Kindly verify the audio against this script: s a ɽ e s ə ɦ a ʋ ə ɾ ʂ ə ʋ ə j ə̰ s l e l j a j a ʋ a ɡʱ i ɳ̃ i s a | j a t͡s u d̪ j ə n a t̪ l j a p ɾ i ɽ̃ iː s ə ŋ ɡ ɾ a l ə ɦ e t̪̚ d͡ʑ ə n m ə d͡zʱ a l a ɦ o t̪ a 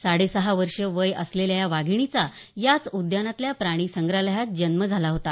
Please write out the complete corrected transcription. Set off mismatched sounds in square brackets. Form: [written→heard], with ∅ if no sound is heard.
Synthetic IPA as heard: s a ɽ e s ə ɦ a ʋ ə ɾ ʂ ə ʋ ə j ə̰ s l e l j a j a ʋ a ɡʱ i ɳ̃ i [s→t͡s] a | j a t͡s u d̪ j [ə→a] n a t̪ l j a p ɾ [i→a] ɽ̃ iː s ə ŋ ɡ ɾ a l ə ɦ [e→a] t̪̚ d͡ʑ ə n m ə d͡zʱ a l a ɦ o t̪ a